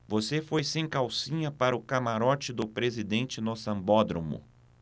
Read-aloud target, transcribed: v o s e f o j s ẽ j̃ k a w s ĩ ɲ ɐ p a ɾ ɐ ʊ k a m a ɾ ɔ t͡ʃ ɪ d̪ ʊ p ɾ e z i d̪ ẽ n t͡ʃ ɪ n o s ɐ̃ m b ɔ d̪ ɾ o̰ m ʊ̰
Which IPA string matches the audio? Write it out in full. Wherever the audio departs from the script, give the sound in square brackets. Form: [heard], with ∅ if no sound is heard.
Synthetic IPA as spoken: v o s e f o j s ẽ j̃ k a w s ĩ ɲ ɐ p a ɾ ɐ ʊ k a m a ɾ ɔ t͡ʃ ɪ d̪ ʊ p ɾ e z i d̪ ẽ n t͡ʃ ɪ n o s ɐ̃ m b ɔ d̪ ɾ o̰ m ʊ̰